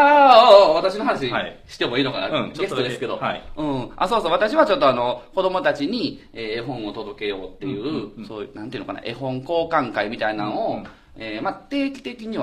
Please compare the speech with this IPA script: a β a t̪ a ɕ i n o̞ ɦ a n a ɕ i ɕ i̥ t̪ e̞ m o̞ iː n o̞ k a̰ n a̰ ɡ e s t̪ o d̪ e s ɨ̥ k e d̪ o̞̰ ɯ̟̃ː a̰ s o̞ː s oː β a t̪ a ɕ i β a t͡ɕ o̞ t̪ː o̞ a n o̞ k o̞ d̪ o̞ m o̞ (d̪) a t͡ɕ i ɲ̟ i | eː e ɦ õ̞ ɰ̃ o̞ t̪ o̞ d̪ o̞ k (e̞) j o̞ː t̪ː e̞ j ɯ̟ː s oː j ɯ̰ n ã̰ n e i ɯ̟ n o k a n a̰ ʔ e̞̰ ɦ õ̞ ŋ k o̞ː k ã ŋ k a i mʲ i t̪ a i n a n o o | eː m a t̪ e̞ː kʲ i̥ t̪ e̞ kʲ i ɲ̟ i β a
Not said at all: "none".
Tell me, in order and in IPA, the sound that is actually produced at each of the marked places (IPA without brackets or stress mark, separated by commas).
t̪, e̞